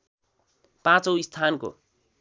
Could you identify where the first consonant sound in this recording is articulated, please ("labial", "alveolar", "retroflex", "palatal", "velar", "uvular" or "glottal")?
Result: labial